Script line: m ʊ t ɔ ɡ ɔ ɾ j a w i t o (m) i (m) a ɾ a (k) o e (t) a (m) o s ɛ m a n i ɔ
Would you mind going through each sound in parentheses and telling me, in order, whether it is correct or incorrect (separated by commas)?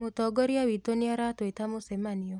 incorrect, incorrect, incorrect, correct, correct